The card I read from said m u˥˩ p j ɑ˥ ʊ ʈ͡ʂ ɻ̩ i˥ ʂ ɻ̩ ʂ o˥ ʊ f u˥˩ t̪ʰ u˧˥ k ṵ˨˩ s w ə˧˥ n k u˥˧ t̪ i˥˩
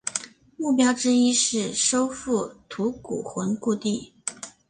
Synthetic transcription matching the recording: m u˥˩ p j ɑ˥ ʊ ʈ͡ʂ ɻ̩ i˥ ʂ ɻ̩ ʂ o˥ ʊ f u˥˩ t̪ʰ u˧˥ k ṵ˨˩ x w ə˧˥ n k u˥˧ t̪ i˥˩